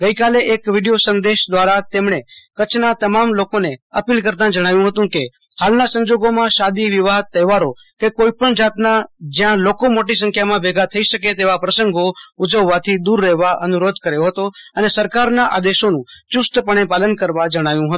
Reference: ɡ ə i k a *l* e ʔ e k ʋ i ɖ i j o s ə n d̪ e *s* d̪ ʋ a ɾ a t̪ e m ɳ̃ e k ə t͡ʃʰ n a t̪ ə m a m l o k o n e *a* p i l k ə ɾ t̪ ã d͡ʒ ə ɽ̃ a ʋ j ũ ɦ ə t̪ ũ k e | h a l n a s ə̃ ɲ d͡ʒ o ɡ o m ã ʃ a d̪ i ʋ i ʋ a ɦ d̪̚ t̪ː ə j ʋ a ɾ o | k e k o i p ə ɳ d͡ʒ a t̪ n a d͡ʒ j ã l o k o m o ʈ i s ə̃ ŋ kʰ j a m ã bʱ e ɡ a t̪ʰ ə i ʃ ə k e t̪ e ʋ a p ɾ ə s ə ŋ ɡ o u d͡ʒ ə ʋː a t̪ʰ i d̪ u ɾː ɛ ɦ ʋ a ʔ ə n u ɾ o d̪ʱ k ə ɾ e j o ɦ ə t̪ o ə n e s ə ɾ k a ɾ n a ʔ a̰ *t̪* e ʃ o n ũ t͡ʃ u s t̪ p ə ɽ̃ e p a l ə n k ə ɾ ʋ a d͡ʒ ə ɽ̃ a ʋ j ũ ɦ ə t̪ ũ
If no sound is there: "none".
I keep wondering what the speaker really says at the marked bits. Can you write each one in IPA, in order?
l, ʃ, ə, d̪

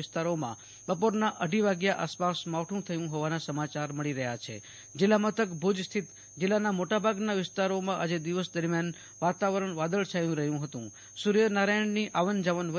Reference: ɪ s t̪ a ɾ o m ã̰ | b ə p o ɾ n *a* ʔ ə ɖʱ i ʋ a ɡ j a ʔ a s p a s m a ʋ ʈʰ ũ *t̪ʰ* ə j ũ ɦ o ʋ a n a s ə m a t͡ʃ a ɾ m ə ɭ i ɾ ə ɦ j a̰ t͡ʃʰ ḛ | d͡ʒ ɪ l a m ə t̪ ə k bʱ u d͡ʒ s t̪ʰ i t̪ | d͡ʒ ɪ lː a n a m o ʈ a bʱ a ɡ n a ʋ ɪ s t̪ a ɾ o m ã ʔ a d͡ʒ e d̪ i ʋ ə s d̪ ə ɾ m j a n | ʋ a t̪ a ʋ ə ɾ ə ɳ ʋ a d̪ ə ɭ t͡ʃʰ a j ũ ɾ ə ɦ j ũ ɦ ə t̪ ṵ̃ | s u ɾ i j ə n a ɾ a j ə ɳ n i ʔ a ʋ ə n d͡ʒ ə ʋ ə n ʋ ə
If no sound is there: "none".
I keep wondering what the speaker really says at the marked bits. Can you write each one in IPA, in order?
a, t̪ʰ

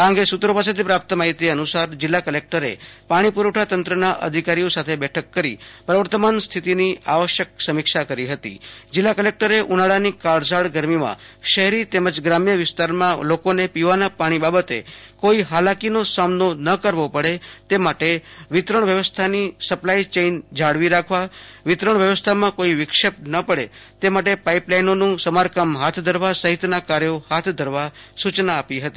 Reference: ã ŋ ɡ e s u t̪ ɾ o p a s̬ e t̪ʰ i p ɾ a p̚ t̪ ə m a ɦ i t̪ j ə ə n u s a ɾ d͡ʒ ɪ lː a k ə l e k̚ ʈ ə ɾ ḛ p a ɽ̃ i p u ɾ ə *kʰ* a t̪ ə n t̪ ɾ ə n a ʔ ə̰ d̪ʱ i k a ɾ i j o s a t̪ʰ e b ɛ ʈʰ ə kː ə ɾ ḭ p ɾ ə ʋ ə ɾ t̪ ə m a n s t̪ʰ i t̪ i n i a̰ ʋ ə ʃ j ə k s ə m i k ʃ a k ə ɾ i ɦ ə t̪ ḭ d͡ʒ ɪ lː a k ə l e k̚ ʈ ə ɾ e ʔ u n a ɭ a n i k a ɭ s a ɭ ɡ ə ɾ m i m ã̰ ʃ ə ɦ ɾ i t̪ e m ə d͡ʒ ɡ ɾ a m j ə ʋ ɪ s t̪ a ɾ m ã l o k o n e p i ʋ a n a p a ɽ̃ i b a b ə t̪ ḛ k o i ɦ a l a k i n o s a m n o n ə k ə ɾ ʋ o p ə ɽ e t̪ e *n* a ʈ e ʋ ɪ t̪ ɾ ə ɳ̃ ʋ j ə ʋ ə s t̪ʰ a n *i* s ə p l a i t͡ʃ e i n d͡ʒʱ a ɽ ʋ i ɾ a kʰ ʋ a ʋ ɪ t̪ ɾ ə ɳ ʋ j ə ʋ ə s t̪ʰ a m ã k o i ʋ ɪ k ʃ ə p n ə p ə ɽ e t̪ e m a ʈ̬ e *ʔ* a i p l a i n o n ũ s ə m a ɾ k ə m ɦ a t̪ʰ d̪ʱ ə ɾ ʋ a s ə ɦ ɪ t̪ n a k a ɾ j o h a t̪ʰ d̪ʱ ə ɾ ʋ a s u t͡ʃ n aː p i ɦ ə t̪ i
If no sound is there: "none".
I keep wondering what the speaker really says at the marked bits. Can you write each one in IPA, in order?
ʈʰ, m, i, p

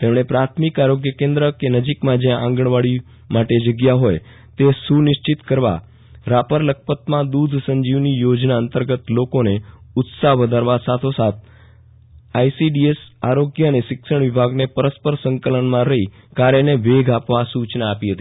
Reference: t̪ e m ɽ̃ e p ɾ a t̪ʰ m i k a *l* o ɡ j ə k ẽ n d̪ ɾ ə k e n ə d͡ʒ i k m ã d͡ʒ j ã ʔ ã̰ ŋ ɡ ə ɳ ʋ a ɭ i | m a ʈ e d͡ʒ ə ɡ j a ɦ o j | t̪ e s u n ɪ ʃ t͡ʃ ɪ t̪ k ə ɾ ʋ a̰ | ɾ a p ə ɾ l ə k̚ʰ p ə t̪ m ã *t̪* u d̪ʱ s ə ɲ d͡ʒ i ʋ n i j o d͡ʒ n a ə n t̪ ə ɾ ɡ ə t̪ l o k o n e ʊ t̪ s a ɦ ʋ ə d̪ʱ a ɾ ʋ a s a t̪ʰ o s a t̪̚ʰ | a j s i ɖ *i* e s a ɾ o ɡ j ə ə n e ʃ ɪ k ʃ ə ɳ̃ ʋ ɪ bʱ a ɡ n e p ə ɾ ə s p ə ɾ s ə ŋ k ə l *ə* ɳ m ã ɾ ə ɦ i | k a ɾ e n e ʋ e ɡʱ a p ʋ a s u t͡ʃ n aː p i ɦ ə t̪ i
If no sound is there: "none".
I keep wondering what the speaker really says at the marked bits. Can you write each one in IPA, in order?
ɾ, d̪, i, ə

